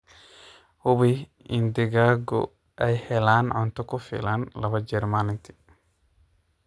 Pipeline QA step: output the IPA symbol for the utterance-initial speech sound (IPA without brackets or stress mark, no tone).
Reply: h